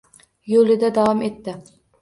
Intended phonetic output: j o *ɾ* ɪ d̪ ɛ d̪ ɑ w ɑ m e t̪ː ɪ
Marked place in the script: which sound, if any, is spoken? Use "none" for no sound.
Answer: l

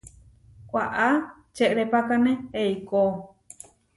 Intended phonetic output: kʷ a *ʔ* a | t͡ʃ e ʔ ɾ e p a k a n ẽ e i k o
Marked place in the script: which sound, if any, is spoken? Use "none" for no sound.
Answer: ʔ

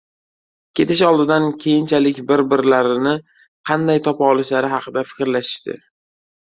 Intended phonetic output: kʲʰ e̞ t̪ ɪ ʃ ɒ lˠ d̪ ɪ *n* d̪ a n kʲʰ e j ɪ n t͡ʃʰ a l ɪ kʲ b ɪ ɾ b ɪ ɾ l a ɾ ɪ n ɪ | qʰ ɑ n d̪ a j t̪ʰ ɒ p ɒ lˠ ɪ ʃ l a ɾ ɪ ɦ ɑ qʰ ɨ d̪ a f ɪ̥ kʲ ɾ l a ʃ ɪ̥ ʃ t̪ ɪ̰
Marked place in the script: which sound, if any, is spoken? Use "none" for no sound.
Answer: none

